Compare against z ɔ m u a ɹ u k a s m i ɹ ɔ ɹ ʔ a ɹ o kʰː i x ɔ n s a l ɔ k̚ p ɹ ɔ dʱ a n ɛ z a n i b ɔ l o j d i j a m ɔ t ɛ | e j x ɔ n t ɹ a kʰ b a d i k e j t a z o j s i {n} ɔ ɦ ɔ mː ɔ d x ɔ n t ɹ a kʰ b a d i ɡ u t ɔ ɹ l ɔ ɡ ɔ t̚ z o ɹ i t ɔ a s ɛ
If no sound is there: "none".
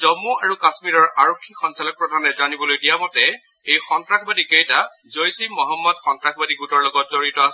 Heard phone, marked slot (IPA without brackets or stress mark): m